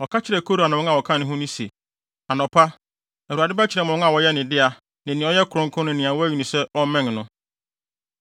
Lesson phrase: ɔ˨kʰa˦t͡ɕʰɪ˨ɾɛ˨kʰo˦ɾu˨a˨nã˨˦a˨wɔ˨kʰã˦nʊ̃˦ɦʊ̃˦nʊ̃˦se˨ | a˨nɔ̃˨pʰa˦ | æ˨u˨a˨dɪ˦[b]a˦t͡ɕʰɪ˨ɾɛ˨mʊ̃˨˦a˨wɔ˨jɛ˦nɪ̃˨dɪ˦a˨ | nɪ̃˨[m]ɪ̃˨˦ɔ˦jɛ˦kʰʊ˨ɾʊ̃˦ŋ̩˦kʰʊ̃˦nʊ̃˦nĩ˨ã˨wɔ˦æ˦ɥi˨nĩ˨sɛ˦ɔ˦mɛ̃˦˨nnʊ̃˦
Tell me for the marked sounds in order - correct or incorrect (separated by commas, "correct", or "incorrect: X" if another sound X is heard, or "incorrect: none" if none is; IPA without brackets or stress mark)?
correct, incorrect: n